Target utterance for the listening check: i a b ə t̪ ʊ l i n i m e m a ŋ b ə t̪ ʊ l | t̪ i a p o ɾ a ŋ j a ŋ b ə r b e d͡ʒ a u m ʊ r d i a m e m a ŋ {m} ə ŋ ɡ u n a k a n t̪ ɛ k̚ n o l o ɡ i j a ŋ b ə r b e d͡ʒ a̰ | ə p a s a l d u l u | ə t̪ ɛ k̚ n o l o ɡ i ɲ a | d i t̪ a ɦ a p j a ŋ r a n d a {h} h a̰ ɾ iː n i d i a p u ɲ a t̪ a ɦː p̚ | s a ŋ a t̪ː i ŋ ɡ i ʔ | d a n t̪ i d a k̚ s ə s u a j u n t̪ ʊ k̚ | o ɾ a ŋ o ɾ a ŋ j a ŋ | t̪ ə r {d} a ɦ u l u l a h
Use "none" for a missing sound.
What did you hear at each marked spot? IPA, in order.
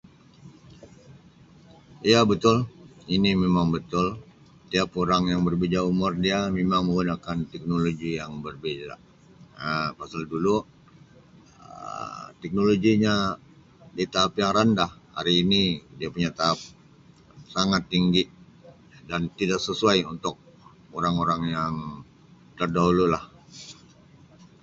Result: m, h, d

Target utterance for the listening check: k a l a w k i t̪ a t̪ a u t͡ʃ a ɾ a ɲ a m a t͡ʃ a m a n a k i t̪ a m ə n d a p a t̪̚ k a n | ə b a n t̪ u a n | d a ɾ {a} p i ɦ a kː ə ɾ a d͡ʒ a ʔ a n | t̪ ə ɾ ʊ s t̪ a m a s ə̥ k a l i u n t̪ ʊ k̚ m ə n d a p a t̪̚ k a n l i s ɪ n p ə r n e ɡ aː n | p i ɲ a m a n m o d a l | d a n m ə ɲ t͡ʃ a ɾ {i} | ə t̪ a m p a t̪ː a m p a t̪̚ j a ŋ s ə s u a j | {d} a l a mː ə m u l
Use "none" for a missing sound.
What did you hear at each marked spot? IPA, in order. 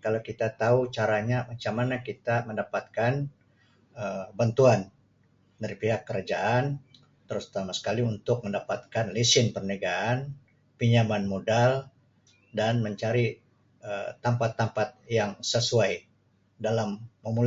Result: i, i, d

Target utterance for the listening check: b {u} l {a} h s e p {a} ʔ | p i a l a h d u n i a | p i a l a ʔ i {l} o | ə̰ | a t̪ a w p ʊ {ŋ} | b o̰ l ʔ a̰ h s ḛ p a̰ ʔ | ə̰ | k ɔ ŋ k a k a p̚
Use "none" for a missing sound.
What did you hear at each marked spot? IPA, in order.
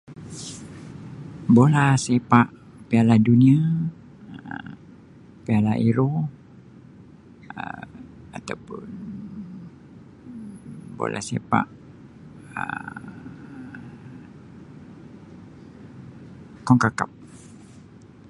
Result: o, a, a, ɾ, n

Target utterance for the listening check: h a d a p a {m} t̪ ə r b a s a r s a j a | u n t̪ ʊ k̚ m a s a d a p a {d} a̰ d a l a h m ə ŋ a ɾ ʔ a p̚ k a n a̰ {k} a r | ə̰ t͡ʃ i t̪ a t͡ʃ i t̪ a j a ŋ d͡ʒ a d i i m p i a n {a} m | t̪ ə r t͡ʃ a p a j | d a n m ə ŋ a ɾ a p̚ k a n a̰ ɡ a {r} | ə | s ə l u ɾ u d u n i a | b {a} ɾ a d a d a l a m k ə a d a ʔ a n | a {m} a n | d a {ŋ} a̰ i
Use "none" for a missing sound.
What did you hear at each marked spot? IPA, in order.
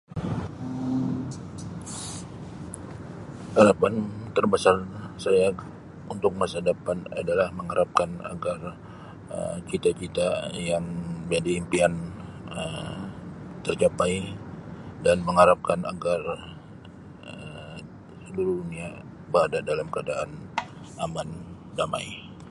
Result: n, n, ɡ, ə, r, ə, m, m

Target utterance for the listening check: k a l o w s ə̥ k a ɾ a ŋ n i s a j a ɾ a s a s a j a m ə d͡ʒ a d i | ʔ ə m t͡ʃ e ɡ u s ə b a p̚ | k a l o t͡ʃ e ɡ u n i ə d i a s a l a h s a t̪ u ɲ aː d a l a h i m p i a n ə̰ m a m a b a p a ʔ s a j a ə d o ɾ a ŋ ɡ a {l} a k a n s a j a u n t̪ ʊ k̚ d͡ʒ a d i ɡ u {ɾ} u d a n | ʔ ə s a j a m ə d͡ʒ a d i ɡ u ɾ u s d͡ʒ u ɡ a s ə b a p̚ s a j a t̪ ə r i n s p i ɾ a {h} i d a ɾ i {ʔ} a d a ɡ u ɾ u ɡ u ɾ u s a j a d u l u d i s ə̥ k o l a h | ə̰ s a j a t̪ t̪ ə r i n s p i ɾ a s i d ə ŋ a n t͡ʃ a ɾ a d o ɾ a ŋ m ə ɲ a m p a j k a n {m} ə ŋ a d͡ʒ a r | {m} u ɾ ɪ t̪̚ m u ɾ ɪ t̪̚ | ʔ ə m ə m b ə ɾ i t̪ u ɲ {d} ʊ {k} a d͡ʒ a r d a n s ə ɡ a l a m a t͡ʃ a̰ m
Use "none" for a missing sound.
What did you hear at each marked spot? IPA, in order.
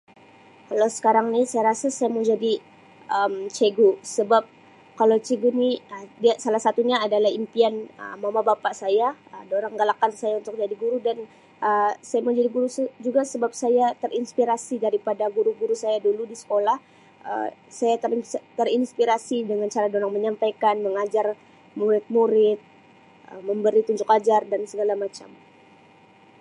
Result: l, ɾ, s, p, m, m, d͡ʒ, k

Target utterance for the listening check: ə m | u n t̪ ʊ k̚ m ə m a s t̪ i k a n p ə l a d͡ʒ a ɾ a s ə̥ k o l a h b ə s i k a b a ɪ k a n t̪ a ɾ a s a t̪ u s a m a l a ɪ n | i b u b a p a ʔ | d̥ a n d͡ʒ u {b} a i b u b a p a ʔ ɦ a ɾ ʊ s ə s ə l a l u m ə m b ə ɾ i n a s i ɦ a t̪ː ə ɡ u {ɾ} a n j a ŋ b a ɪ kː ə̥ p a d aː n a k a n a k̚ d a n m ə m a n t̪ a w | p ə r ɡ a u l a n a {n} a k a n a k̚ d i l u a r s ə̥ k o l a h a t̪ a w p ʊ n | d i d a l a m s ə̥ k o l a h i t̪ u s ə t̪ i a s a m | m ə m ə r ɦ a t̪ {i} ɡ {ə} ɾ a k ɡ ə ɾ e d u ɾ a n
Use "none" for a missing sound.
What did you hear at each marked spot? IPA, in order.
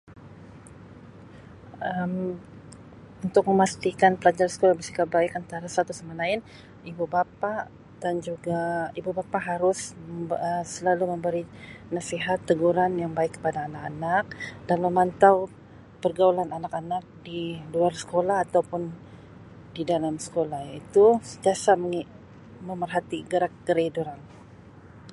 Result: ɡ, ɾ, n, i, ə

